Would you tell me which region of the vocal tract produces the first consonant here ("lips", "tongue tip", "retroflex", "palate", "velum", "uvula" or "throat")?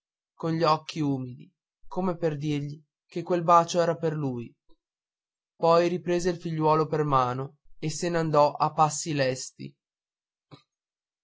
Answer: velum